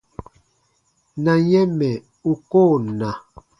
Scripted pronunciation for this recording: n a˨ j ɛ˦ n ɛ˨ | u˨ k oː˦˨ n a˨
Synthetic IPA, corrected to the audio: n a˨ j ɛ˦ m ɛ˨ | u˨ k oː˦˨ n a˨